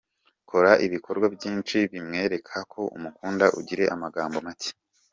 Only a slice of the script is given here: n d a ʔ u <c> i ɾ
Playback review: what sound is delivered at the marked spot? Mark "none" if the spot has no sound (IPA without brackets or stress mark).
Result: ɟ